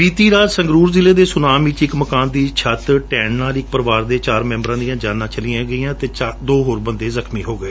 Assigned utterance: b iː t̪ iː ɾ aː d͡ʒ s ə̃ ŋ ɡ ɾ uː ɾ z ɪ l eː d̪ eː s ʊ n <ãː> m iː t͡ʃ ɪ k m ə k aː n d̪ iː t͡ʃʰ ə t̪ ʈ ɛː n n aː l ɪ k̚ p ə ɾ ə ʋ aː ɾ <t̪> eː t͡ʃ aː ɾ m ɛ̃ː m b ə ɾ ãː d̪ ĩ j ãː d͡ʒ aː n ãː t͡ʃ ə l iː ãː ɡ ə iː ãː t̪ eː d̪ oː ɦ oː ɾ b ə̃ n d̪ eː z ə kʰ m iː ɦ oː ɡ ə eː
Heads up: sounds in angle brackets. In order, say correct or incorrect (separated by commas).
incorrect, incorrect